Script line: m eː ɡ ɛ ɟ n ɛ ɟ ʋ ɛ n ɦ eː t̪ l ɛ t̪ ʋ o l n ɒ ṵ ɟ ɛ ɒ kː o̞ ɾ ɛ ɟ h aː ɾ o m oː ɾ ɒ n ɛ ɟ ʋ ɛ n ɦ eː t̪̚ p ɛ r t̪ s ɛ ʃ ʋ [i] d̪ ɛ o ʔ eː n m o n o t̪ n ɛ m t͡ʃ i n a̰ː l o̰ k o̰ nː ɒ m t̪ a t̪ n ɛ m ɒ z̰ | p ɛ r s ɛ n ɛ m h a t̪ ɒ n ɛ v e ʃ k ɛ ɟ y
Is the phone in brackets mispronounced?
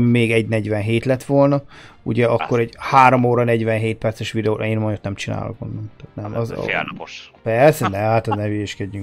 no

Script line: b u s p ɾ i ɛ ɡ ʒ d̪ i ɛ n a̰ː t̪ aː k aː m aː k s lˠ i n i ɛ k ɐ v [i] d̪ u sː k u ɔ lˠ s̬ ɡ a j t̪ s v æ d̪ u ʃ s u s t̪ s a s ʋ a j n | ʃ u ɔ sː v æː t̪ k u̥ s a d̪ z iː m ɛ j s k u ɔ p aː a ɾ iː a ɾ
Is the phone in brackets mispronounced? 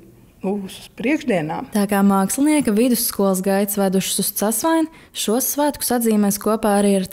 no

